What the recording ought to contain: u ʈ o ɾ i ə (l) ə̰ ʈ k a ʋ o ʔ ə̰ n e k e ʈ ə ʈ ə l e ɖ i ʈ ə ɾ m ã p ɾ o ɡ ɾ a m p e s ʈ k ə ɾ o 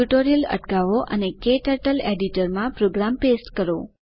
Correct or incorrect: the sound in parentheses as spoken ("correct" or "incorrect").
correct